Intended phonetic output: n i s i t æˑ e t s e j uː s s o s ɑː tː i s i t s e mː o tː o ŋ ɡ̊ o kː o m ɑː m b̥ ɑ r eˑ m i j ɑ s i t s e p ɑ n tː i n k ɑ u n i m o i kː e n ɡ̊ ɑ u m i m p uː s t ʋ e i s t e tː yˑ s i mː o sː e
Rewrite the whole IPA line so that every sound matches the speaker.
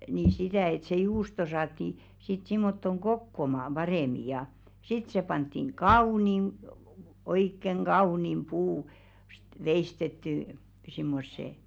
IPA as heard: n i s i t æˑ e t s e j uː s t o s ɑː tː i s i t s i mː o tː o ŋ ɡ̊ o kː o m ɑː m b̥ ɑ r eˑ m i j ɑ s i t s e p ɑ n tː i ŋ k ɑ u n i m o i kː e ŋ ɡ̊ ɑ u n i m p uː s t ʋ e i s t e tː yˑ s i mː o sː e